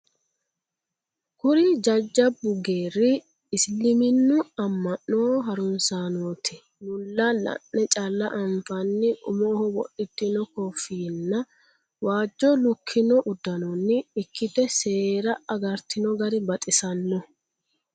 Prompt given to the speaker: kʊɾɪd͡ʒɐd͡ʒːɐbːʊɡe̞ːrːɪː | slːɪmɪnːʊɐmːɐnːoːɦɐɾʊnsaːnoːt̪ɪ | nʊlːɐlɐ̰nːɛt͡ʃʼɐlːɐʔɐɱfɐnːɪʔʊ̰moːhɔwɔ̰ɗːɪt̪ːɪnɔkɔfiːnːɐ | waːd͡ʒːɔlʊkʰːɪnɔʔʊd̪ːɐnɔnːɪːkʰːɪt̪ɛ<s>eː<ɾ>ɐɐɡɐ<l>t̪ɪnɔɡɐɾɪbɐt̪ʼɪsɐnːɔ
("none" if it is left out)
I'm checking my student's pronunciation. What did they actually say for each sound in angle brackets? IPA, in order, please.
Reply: s, ɾ, ɾ

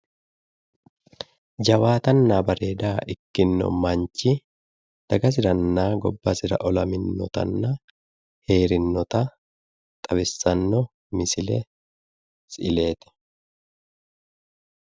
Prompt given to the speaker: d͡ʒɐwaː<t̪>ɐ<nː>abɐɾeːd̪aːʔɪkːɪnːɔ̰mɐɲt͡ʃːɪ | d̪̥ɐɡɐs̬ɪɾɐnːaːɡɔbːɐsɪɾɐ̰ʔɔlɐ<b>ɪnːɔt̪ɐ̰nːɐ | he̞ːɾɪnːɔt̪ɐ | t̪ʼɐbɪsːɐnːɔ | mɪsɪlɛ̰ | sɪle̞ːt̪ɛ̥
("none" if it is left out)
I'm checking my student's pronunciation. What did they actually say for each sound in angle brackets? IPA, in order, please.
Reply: t̪, nː, m

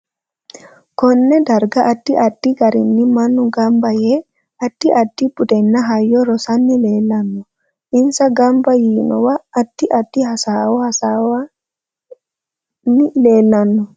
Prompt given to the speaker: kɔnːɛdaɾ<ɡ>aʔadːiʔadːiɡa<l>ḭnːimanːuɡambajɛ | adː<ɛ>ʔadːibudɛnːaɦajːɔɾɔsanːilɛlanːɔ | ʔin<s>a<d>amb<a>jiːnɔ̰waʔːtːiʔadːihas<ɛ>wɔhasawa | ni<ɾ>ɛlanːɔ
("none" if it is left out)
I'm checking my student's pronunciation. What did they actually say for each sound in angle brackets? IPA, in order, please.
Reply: ɡ, ɾ, i, s, ɡ, a, a, l

